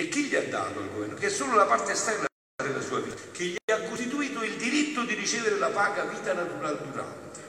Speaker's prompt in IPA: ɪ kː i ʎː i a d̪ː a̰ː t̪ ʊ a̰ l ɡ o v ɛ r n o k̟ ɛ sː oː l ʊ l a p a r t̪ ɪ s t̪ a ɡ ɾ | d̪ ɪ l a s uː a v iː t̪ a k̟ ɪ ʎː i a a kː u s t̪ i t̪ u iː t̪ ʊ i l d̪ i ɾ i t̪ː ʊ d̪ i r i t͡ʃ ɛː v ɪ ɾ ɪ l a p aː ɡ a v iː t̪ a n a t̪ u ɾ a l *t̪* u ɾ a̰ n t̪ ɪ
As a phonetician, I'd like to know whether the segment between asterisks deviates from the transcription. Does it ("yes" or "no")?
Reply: yes